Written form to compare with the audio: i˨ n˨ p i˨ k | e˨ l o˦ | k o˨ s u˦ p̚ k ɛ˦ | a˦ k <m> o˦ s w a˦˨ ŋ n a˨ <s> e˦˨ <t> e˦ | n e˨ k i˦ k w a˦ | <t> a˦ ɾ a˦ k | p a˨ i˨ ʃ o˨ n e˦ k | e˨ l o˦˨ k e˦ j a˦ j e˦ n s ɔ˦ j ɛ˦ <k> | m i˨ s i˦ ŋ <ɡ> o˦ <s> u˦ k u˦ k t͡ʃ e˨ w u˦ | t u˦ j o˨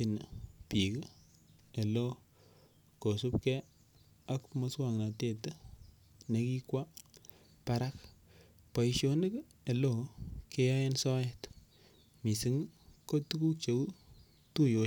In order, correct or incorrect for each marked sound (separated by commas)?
correct, incorrect, correct, incorrect, incorrect, incorrect, incorrect